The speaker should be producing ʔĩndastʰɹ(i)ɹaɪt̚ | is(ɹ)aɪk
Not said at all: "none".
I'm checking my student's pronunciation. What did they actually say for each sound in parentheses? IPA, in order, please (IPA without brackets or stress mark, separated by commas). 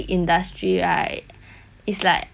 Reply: i, l